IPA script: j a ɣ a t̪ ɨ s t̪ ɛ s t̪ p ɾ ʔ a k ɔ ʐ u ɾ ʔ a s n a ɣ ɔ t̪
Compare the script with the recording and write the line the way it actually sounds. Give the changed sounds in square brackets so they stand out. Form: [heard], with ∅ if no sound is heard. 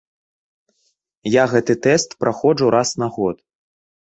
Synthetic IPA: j a ɣ [ɛ] t̪ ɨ [∅] t̪ ɛ s t̪ p ɾ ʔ a [x] ɔ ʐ u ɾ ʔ a s n a ɣ ɔ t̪